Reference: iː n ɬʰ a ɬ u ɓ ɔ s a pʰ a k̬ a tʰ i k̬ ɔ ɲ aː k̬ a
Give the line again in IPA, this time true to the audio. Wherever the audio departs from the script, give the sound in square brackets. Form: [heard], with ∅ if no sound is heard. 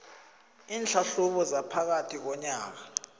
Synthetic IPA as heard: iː n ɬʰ a ɬ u ɓ ɔ [z] a pʰ a k̬ a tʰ i k̬ ɔ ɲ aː k̬ a